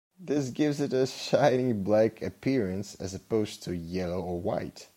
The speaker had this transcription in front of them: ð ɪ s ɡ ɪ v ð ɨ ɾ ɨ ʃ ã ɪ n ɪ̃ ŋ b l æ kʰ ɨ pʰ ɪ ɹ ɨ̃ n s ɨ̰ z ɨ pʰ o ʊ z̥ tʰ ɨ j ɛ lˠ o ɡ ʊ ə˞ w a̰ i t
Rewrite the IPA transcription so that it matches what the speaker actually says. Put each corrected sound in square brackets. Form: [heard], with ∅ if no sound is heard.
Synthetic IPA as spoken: ð ɪ s ɡ ɪ v [z] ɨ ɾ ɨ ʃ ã ɪ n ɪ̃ ŋ b l æ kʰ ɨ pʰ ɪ ɹ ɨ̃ n s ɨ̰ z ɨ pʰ o ʊ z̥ tʰ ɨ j ɛ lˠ o [∅] ʊ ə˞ w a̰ [ɪ] t